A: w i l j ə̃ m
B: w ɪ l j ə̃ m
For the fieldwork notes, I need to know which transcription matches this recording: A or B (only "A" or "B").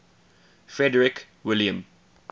B